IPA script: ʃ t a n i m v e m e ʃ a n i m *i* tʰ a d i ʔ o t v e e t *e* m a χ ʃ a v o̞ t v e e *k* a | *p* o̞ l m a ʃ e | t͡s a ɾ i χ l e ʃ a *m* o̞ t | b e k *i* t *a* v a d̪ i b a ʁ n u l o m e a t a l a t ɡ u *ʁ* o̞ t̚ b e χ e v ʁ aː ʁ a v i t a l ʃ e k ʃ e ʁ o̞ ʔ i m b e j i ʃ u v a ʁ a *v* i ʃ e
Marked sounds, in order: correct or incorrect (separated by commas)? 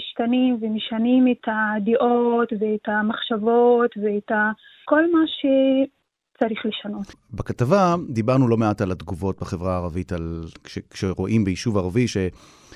incorrect, incorrect, incorrect, incorrect, incorrect, incorrect, correct, incorrect, correct